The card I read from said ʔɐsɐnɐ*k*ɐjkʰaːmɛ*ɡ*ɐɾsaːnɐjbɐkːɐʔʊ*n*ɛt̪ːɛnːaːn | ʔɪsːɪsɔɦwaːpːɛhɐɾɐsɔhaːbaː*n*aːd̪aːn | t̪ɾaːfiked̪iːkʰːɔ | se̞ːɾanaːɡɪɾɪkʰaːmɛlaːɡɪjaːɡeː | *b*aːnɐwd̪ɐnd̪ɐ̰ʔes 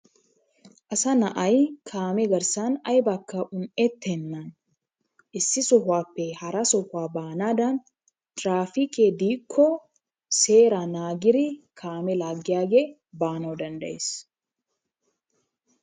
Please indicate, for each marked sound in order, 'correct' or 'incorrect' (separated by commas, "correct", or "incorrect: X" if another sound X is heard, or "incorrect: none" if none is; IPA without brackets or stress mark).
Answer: incorrect: ʔ, correct, correct, correct, correct